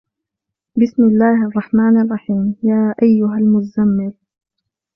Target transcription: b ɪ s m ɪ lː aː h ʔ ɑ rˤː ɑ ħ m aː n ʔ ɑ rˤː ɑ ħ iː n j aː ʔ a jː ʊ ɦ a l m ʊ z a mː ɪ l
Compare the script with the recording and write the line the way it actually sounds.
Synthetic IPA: b ɪ s m ɪ lː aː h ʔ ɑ rˤː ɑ ħ m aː n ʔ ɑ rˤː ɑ ħ iː m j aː ʔ a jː ʊ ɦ a l m ʊ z a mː ɪ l